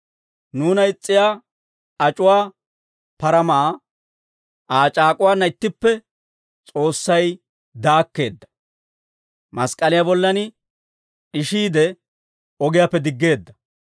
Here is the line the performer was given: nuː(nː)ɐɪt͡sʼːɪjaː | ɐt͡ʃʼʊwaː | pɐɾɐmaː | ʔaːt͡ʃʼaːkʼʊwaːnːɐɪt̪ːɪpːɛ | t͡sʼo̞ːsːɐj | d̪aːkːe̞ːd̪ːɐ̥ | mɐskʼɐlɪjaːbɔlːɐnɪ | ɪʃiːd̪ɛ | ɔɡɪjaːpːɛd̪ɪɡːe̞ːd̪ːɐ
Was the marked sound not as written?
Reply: yes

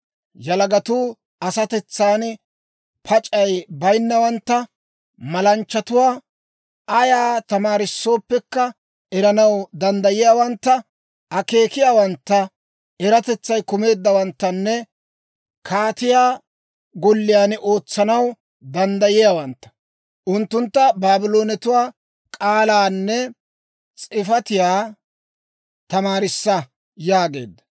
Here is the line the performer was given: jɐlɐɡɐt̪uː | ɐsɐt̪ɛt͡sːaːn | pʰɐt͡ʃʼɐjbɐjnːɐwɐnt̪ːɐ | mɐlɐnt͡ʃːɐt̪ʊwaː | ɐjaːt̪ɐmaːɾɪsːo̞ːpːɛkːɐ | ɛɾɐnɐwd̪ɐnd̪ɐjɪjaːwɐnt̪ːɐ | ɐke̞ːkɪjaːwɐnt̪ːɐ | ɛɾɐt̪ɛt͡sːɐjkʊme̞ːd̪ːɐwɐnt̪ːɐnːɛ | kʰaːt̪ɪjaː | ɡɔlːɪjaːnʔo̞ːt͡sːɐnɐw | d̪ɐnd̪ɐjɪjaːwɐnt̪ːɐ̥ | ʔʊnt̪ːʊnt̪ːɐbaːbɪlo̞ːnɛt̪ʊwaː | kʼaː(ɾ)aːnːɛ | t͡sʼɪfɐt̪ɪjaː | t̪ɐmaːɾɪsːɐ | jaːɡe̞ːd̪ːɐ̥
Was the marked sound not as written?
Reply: yes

